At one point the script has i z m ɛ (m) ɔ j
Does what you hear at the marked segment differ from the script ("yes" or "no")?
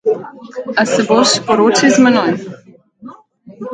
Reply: yes